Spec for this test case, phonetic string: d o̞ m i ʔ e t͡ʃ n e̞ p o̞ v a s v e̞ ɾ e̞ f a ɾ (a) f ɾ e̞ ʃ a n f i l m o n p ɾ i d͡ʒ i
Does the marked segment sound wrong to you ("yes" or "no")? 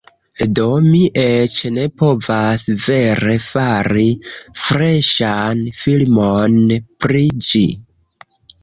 yes